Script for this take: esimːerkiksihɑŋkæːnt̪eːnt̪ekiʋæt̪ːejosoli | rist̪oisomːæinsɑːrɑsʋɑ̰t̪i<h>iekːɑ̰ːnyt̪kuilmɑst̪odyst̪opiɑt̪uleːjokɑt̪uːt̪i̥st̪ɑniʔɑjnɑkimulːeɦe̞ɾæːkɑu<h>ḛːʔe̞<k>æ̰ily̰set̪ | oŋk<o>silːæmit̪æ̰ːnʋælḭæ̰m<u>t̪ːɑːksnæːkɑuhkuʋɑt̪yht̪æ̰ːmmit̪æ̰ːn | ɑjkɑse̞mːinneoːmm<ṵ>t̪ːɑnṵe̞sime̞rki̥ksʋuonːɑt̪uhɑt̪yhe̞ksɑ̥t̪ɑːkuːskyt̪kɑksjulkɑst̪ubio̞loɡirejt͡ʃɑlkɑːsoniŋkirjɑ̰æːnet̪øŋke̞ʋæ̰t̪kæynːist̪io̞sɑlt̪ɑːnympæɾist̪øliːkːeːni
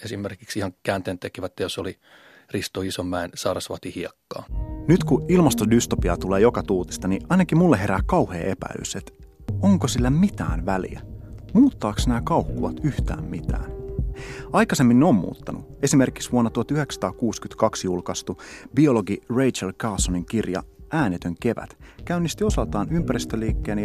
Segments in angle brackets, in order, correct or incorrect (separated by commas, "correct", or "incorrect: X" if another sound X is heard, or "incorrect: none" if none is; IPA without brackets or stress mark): correct, correct, incorrect: p, correct, incorrect: uː, incorrect: ṵː